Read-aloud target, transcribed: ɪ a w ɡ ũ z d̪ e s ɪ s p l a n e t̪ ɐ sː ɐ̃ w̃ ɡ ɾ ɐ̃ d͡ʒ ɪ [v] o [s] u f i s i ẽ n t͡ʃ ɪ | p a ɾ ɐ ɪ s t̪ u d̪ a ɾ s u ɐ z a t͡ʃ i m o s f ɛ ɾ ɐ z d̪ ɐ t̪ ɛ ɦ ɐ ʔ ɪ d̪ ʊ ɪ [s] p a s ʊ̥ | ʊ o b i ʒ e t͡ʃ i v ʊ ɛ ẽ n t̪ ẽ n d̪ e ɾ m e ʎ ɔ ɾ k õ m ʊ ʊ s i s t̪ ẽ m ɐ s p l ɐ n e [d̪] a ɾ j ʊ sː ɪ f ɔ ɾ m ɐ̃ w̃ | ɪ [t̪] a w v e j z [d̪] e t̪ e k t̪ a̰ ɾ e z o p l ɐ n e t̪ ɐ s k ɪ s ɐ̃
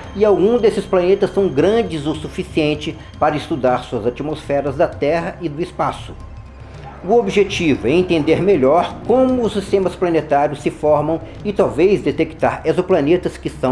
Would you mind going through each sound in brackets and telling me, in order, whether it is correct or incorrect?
incorrect, correct, correct, incorrect, correct, correct

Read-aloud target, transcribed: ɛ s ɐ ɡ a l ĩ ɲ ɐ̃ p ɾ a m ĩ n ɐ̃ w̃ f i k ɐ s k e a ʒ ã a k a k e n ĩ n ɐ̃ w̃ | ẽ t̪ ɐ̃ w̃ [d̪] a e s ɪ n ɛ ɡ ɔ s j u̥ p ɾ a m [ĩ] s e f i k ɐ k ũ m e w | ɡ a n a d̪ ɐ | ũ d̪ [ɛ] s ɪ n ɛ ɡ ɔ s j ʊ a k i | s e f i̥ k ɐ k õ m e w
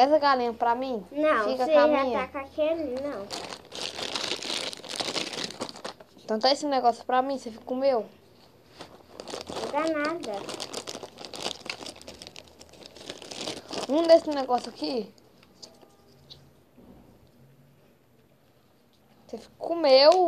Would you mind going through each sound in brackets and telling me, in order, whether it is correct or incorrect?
incorrect, correct, incorrect

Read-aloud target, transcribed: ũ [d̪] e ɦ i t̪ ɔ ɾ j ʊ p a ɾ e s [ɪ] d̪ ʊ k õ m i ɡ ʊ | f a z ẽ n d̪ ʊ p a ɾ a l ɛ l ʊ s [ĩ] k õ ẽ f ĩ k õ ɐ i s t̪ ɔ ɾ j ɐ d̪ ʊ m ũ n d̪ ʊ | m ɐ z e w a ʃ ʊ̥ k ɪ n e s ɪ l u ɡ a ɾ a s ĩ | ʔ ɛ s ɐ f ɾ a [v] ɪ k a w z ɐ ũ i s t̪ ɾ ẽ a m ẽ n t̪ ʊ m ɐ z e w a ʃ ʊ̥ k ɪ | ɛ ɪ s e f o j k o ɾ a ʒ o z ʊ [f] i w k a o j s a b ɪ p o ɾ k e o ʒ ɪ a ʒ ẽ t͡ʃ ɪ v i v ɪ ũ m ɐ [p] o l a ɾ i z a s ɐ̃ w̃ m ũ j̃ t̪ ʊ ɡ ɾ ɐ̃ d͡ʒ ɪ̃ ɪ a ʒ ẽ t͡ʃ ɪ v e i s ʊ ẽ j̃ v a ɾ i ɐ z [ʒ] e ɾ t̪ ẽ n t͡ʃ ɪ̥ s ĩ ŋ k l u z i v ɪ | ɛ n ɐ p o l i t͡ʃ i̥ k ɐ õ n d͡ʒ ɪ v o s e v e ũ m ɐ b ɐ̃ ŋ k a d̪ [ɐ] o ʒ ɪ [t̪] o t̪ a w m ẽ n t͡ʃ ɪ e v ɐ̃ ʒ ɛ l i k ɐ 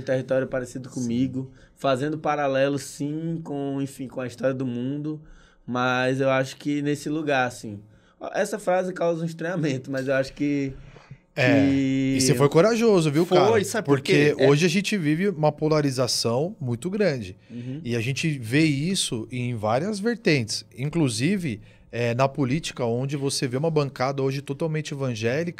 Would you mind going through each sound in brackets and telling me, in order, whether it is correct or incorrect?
incorrect, incorrect, correct, incorrect, incorrect, correct, incorrect, correct, correct

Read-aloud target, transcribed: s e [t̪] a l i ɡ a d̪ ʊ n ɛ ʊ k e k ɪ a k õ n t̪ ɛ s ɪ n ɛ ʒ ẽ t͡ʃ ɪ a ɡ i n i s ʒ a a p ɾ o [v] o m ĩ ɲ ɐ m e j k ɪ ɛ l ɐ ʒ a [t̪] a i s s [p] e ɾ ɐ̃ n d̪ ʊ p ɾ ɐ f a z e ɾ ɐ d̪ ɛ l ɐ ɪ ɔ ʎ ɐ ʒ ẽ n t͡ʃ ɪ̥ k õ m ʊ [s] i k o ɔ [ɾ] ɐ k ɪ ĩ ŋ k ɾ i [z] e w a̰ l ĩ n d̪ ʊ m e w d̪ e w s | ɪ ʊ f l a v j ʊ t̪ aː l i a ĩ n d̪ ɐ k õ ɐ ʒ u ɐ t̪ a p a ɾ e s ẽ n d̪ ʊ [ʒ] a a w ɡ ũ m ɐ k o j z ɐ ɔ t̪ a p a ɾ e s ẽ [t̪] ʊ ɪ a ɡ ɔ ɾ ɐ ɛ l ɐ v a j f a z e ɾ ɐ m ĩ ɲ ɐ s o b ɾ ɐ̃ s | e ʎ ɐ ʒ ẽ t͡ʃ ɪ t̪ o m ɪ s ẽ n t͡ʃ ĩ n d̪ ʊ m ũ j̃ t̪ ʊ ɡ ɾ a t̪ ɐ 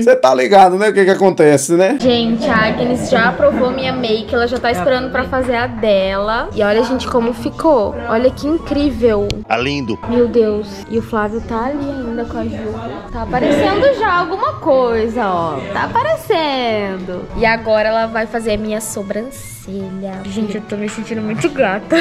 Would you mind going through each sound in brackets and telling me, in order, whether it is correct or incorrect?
correct, correct, correct, correct, incorrect, incorrect, incorrect, correct, incorrect

